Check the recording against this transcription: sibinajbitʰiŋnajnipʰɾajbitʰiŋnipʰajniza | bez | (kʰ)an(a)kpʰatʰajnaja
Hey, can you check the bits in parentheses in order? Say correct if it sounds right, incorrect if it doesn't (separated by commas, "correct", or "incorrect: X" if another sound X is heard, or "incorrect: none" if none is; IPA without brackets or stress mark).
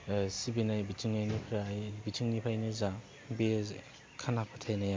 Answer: correct, correct